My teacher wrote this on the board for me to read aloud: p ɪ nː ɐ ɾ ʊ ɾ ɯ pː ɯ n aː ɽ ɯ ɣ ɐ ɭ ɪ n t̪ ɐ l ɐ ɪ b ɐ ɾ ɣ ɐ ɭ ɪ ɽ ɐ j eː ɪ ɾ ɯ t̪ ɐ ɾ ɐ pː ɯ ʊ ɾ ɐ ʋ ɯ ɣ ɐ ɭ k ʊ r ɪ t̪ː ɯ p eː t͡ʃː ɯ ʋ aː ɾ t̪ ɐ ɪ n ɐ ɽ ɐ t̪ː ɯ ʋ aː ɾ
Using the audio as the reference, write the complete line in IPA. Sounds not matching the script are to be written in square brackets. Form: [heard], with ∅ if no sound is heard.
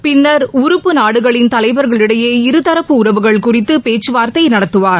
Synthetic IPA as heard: p ɪ nː ɐ ɾ ʊ ɾ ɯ pː ɯ n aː ɽ ɯ ɣ ɐ ɭ ɪ n t̪ ɐ l ɐ ɪ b ɐ ɾ ɣ ɐ ɭ ɪ ɽ ɐ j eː ɪ ɾ ɯ t̪ ɐ ɾ ɐ pː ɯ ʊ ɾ ɐ ʋ ɯ ɣ ɐ ɭ k ʊ r ɪ t̪ː ɯ p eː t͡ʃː ɯ ʋ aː ɾ t̪ ɐ ɪ n ɐ ɽ ɐ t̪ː ɯ ʋ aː ɾ

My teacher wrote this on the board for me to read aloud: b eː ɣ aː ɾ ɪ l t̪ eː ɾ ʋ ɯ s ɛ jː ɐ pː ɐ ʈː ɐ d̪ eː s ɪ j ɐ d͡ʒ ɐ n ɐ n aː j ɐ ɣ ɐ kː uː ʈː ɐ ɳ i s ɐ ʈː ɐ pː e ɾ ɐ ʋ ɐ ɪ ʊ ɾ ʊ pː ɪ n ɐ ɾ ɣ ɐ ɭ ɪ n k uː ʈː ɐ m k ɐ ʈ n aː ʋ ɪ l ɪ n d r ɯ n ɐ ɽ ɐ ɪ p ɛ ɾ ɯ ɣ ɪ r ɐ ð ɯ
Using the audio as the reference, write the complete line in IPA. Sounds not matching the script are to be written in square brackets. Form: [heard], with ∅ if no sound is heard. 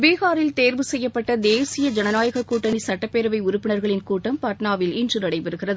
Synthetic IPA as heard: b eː ɣ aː ɾ ɪ l t̪ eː ɾ ʋ ɯ s ɛ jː ɐ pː ɐ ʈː ɐ d̪ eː s ɪ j ɐ d͡ʒ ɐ n ɐ n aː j ɐ ɣ ɐ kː uː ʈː ɐ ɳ i s ɐ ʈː ɐ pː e ɾ ɐ ʋ ɐ ɪ ʊ ɾ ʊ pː ɪ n ɐ ɾ ɣ ɐ ɭ ɪ n k uː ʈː ɐ m [p] ɐ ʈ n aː ʋ ɪ l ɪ n d r ɯ n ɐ ɽ ɐ ɪ p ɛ ɾ ɯ ɣ ɪ r ɐ ð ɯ

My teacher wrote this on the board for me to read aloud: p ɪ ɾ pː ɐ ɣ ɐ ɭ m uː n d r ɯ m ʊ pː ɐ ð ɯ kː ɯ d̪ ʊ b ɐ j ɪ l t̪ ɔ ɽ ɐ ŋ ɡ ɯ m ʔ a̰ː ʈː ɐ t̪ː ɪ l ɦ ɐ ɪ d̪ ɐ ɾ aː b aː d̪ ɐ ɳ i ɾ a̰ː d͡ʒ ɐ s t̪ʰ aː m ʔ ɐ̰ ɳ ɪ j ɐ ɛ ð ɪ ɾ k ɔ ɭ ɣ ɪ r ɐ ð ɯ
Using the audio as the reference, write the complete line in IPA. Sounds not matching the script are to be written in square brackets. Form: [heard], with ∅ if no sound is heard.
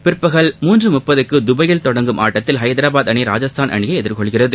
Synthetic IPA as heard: p ɪ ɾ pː ɐ ɣ ɐ ɭ m uː n d r ɯ m ʊ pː ɐ ð ɯ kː ɯ d̪ ʊ b ɐ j ɪ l t̪ ɔ ɽ ɐ ŋ ɡ ɯ m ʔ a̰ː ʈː ɐ t̪ː ɪ l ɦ ɐ ɪ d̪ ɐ ɾ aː b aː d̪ ɐ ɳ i ɾ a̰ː d͡ʒ ɐ s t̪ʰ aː [n] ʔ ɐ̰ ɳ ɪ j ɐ ɛ ð ɪ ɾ k ɔ ɭ ɣ ɪ r ɐ ð ɯ

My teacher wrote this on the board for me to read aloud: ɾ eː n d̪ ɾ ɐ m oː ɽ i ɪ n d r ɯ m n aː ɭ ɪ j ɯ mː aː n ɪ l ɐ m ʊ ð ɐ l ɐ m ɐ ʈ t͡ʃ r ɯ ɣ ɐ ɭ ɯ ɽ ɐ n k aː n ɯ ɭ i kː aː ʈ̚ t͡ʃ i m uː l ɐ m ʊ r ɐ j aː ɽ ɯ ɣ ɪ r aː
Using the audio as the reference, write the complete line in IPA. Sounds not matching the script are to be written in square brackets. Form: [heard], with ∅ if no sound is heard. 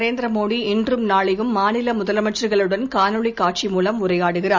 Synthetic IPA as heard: ɾ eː n d̪ ɾ ɐ m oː ɽ i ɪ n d r ɯ m n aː ɭ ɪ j ɯ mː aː n ɪ l ɐ m ʊ ð ɐ l ɐ m ɐ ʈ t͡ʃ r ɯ ɣ ɐ ɭ ɯ ɽ ɐ n k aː n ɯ ɭ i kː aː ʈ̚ t͡ʃ i m uː l ɐ m ʊ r ɐ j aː ɽ ɯ ɣ ɪ r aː

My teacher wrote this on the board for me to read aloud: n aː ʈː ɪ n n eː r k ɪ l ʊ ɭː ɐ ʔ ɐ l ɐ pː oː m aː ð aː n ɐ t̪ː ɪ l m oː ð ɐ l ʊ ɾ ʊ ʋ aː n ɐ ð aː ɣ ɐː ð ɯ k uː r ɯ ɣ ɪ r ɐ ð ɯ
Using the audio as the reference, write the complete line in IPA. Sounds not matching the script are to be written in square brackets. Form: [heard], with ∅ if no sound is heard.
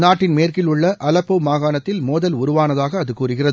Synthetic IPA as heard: n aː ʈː ɪ n [m] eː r k ɪ l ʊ ɭː ɐ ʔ ɐ l ɐ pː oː m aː [ɣ] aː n ɐ t̪ː ɪ l m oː ð ɐ l ʊ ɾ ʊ ʋ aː n ɐ ð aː ɣ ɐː ð ɯ k uː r ɯ ɣ ɪ r ɐ ð ɯ

